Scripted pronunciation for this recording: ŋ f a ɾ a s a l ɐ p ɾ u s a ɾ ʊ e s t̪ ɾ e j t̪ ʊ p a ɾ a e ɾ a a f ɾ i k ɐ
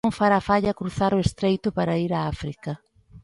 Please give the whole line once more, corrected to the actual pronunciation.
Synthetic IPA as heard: ŋ f a ɾ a f a ʎ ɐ k ɾ u θ a ɾ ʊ e s t̪ ɾ e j t̪ ʊ p a ɾ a i ɾ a a f ɾ i k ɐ